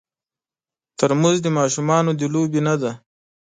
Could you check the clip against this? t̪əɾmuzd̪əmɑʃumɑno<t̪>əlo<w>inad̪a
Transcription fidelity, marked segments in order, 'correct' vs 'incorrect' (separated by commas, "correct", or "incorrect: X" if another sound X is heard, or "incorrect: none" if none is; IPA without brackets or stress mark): incorrect: d̪, incorrect: b